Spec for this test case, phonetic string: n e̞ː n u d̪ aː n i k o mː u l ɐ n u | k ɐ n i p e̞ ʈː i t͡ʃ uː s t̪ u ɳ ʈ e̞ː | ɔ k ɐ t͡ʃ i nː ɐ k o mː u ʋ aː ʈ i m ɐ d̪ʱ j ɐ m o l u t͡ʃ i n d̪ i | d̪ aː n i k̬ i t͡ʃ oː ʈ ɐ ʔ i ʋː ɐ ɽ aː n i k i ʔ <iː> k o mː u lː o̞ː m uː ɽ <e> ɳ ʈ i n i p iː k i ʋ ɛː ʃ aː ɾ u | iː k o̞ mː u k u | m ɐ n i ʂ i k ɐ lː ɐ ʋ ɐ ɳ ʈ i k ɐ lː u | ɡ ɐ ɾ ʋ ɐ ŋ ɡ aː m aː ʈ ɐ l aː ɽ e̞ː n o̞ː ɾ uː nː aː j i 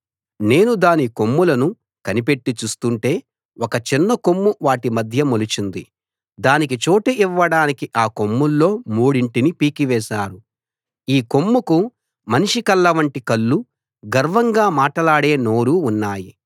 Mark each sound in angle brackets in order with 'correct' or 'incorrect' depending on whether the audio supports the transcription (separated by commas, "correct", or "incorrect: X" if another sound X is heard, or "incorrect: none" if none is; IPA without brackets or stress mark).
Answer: incorrect: aː, incorrect: i